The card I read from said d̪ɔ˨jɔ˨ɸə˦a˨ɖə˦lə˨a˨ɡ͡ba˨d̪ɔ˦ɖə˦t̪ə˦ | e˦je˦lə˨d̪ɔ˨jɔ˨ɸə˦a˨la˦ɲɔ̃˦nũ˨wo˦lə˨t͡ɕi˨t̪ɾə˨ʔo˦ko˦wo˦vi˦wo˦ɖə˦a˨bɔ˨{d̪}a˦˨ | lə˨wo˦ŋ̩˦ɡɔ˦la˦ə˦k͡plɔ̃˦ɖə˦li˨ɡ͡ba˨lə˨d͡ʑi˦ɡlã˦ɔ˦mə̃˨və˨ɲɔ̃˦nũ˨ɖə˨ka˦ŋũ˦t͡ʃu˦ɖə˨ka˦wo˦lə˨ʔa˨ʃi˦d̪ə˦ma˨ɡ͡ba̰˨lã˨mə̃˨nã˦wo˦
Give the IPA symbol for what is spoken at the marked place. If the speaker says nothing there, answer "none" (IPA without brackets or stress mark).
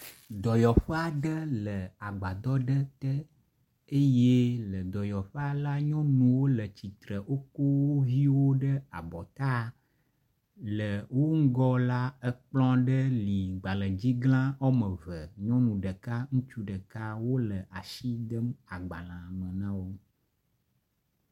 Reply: t̪